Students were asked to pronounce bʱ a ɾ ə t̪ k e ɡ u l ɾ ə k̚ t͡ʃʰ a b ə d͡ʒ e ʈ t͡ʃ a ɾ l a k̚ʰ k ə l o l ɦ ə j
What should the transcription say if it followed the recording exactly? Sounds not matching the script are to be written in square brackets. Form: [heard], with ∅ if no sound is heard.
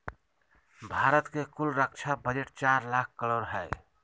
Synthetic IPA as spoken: bʱ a ɾ ə t̪ k e [k] u l ɾ ə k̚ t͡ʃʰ a b ə d͡ʒ e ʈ t͡ʃ a ɾ l a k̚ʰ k ə l o [ɾ] ɦ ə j